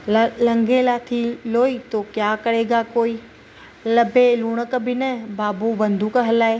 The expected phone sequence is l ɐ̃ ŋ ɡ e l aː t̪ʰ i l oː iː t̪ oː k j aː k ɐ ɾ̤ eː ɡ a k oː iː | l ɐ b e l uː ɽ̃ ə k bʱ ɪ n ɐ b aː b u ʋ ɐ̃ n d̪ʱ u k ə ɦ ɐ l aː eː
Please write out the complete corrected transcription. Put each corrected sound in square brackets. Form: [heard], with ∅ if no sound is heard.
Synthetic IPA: l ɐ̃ ŋ ɡ e l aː t̪ʰ i l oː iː t̪ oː k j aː k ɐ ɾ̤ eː ɡ a k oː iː | l ɐ b e l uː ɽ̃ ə k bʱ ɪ n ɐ b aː b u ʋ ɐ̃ n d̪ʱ u k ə ɦ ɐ l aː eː